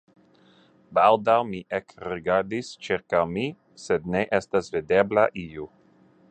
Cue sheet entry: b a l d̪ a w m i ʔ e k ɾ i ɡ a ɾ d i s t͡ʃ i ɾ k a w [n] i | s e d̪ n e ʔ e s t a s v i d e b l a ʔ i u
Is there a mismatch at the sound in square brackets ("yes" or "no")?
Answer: yes